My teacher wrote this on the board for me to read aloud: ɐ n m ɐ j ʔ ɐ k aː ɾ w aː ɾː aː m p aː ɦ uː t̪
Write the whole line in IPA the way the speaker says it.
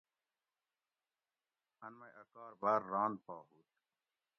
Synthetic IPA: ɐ n m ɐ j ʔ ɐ k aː ɾ b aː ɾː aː n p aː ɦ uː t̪

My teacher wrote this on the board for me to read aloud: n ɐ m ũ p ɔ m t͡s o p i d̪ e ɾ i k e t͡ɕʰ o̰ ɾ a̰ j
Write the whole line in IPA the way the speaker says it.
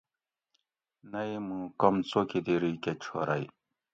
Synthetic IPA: n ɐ m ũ k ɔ m t͡s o k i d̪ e ɾ i k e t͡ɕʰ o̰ ɾ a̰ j

